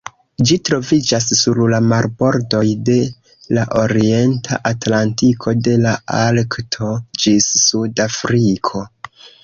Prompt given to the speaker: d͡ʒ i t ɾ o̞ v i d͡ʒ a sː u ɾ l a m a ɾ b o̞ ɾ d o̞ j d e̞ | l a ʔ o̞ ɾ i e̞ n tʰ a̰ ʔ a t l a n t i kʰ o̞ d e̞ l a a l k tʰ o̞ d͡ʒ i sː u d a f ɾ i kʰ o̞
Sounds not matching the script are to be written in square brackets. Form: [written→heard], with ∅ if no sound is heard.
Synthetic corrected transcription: d͡ʒ i t ɾ o̞ v i d͡ʒ a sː u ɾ l a m a ɾ b o̞ ɾ d o̞ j d e̞ | l a ʔ o̞ ɾ i e̞ n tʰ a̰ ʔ a t l a n t i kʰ o̞ d e̞ l a a l k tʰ o̞ d͡ʒ i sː u d a f ɾ i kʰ o̞